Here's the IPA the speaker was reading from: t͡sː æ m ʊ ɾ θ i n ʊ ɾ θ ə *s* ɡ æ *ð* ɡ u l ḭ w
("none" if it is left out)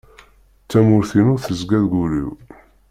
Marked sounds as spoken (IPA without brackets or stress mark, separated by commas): z, ð